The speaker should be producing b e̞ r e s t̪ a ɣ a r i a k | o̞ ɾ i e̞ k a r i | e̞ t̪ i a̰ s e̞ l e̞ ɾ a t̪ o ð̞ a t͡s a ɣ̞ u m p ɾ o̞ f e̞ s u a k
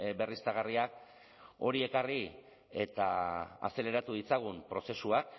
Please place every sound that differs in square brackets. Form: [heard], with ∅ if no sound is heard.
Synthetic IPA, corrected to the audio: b e̞ r [i] s t̪ a ɣ a r i a k | o̞ ɾ i e̞ k a r i | e̞ t̪ [a] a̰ s e̞ l e̞ ɾ a t̪ [u] ð̞ [i] t͡s a ɣ̞ u m p ɾ o̞ [s] e̞ s u a k

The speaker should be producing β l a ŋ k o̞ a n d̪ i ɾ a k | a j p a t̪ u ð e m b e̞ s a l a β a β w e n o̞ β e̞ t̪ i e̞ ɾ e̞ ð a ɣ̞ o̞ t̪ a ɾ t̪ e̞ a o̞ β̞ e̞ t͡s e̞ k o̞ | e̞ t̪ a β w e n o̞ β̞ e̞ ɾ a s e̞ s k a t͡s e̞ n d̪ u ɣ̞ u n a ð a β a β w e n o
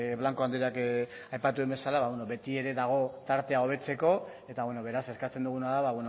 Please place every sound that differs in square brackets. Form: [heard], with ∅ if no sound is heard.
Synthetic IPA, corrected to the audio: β l a ŋ k o̞ a n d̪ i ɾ a k | a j p a t̪ u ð e m b e̞ s a l a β a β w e n o̞ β e̞ t̪ i e̞ ɾ e̞ ð a ɣ̞ o̞ t̪ a ɾ t̪ e̞ a o̞ β̞ e̞ t͡s e̞ k o̞ | e̞ t̪ a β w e n o̞ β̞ e̞ ɾ a s e̞ s k a t͡s e̞ n d̪ u ɣ̞ u n a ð a β a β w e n o

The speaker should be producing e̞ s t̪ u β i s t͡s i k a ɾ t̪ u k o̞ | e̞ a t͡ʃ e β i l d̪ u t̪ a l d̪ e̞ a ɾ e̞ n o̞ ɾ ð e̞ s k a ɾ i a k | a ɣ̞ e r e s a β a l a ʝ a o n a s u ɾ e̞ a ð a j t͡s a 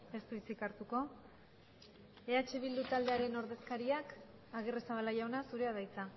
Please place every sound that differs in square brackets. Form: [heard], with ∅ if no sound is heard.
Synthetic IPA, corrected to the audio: e̞ s t̪ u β i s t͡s i k a ɾ t̪ u k o̞ | e̞ a t͡ʃ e β i l d̪ u t̪ a l d̪ e̞ a ɾ e̞ n o̞ ɾ ð e̞ s k a ɾ i a k | a ɣ̞ e r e s a β a l a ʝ a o n a s u ɾ e̞ a ð a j t͡s a

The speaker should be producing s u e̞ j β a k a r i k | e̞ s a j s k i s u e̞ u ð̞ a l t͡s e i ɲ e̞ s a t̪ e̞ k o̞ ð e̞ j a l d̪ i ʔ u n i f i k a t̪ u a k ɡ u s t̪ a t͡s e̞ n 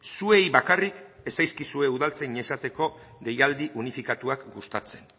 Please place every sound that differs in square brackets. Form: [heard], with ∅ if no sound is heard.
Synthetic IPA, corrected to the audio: s u e̞ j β a k a r i k | e̞ s a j s k i s u e̞ u ð̞ a l t͡s e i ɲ e̞ s a t̪ e̞ k o̞ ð e̞ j a l d̪ i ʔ u n i f i k a t̪ u a k ɡ u s t̪ a t͡s e̞ n

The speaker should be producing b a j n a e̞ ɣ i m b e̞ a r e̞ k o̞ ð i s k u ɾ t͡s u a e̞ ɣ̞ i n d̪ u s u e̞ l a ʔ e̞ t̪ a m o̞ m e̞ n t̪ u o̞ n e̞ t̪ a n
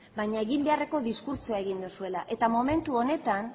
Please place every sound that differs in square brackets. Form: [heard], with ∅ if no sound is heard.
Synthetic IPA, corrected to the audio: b a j [ɲ] a e̞ ɣ i m b e̞ a r e̞ k o̞ ð i s k u ɾ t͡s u a e̞ ɣ̞ i n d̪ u s u e̞ l a ʔ e̞ t̪ a m o̞ m e̞ n t̪ u o̞ n e̞ t̪ a n

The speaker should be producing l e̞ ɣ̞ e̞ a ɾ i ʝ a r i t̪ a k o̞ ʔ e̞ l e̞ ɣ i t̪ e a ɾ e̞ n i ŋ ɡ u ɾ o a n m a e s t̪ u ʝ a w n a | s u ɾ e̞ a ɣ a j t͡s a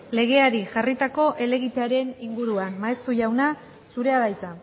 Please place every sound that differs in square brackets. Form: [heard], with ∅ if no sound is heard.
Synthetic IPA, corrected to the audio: l e̞ ɣ̞ e̞ a ɾ i ʝ a r i t̪ a k o̞ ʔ e̞ l e̞ ɣ i t̪ e a ɾ e̞ n i ŋ ɡ u ɾ [u] a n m a e s t̪ u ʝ a w n a | s u ɾ e̞ a [ð] a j t͡s a

